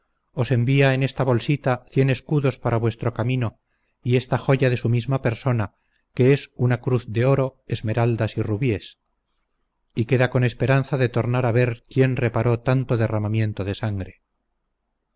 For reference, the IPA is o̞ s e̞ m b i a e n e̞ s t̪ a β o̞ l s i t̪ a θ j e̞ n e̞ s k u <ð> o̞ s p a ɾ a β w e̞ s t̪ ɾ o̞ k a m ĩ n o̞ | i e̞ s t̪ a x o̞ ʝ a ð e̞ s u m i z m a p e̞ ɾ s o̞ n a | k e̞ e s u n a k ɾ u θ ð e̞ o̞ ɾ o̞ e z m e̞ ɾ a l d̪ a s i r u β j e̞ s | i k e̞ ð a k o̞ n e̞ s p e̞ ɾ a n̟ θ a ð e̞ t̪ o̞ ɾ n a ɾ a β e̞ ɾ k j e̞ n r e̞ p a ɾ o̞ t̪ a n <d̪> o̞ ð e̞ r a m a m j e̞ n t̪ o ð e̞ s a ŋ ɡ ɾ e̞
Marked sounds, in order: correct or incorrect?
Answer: correct, incorrect: t̪

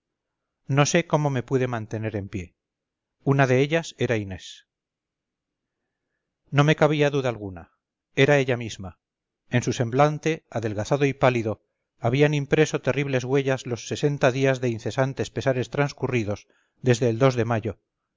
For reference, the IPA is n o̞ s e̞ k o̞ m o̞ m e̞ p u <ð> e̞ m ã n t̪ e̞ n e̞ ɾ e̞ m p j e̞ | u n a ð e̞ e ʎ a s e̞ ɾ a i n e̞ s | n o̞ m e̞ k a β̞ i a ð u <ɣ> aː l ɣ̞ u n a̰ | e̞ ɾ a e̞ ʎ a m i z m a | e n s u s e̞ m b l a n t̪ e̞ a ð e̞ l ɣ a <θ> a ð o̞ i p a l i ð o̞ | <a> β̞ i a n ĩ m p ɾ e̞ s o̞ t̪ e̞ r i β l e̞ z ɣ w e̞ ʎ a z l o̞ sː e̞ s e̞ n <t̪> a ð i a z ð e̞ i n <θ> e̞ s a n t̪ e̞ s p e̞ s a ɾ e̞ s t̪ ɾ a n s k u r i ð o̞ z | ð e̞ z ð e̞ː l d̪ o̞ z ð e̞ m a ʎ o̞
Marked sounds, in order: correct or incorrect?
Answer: correct, incorrect: ð, correct, correct, correct, correct

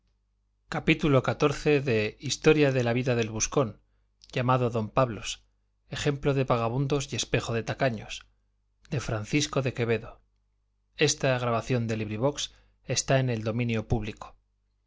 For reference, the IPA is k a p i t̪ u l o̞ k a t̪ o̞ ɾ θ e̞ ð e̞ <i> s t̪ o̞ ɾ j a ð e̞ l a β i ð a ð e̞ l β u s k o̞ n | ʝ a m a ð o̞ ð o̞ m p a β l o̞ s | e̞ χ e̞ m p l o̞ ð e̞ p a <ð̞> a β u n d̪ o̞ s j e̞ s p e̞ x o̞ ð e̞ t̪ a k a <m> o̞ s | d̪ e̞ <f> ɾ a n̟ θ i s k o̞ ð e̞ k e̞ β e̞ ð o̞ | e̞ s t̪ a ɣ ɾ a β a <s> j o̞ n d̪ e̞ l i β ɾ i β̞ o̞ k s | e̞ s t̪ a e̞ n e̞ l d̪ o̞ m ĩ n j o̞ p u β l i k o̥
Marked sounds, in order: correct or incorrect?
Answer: correct, incorrect: ɣ̞, incorrect: ɲ, correct, incorrect: θ

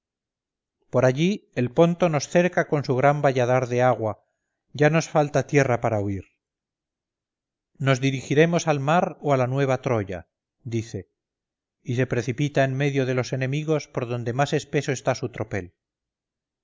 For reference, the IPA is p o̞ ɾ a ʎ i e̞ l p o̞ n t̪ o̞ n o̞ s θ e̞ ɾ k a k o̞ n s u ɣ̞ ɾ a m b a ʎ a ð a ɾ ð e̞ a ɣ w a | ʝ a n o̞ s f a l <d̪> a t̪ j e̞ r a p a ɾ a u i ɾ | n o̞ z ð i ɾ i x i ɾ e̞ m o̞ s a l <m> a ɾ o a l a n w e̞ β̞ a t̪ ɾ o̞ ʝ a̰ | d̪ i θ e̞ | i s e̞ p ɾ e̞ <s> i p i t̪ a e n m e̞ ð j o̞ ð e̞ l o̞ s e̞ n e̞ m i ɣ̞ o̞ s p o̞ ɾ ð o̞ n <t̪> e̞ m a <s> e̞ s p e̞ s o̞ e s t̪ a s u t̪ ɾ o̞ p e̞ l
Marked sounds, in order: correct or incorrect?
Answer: incorrect: t̪, correct, incorrect: θ, incorrect: d̪, correct

